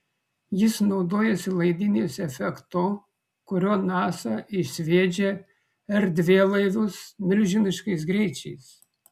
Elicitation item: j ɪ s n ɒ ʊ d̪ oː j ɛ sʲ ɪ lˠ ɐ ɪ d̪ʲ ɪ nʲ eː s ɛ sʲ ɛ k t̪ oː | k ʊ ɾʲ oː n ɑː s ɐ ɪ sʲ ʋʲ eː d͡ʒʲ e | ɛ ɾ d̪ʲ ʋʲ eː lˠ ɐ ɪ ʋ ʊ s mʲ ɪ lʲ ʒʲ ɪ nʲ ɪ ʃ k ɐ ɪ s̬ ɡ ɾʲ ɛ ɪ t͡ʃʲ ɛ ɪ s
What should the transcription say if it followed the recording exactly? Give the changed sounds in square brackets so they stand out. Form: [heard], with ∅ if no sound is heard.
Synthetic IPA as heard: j ɪ s n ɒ ʊ d̪ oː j ɛ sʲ ɪ lˠ ɐ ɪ d̪ʲ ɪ nʲ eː s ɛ [fʲ] ɛ k t̪ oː | k ʊ ɾʲ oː n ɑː s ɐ ɪ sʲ ʋʲ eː d͡ʒʲ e | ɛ ɾ d̪ʲ ʋʲ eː lˠ ɐ ɪ ʋ ʊ s mʲ ɪ lʲ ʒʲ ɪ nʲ ɪ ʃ k ɐ ɪ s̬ ɡ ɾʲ ɛ ɪ t͡ʃʲ ɛ ɪ s